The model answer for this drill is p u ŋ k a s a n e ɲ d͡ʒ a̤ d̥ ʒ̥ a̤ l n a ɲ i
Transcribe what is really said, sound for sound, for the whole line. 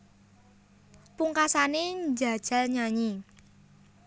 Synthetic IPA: p u ŋ k a s a n e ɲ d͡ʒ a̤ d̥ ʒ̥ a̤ l ɲ a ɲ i